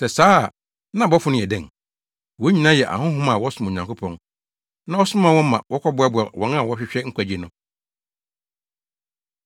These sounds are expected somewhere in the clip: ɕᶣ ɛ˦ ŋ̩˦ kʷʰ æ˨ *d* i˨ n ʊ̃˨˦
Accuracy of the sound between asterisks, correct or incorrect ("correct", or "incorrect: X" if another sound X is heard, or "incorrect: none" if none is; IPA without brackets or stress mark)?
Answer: incorrect: d͡ʑ